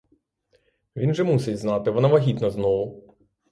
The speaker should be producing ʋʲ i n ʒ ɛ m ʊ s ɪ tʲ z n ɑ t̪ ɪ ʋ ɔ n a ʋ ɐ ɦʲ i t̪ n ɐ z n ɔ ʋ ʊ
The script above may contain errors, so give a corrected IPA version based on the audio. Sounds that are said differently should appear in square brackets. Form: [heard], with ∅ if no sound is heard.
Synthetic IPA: ʋʲ i n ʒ ɛ m [u] s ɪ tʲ z n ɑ t̪ ɪ ʋ ɔ n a ʋ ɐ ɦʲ i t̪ n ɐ z n ɔ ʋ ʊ